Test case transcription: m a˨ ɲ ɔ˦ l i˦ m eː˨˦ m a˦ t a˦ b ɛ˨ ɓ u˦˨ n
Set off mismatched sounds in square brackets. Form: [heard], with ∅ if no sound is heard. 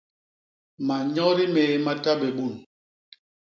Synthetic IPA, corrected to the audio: m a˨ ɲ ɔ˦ [ɾ] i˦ m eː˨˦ m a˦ t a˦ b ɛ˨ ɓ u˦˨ n